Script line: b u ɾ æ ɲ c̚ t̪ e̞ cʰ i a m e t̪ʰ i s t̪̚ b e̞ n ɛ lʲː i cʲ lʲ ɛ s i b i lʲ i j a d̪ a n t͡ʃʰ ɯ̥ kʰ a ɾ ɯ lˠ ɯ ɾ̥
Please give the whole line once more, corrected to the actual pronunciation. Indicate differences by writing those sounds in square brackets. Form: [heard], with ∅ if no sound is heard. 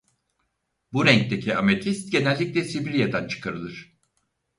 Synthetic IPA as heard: b u ɾ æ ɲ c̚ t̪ e̞ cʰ i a m e t̪ʰ i s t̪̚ [ɟ] e̞ n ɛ lʲː i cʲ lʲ ɛ s i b i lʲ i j a d̪ a n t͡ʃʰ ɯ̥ kʰ a ɾ ɯ lˠ ɯ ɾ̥